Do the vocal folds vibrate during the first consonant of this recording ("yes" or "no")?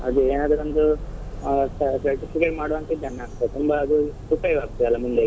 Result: yes